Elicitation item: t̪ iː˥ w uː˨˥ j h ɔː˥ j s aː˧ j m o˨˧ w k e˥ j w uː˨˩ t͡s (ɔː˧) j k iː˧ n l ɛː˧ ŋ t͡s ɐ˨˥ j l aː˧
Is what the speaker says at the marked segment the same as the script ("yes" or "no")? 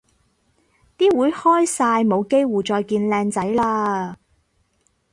yes